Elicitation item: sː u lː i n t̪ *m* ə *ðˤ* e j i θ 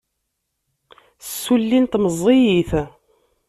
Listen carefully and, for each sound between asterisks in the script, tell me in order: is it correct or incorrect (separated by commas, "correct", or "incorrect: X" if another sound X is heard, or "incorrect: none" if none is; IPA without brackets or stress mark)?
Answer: correct, incorrect: zˤ